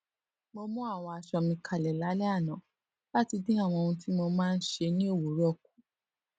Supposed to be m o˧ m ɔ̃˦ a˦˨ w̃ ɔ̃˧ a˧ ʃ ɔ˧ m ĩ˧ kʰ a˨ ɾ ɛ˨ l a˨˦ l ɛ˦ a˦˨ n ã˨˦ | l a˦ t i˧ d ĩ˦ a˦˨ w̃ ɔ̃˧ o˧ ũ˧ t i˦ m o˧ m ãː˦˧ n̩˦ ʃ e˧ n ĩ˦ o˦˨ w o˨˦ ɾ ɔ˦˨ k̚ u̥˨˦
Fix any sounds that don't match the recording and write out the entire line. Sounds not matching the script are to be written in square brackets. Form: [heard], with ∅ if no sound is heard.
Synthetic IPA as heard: m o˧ m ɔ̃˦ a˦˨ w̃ ɔ̃˧ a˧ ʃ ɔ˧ m ĩ˧ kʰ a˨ [l] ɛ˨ l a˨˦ l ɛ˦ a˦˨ n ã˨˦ | l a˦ t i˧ d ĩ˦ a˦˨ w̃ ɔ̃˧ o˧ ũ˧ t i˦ m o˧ m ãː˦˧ n̩˦ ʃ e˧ n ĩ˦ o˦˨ w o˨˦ ɾ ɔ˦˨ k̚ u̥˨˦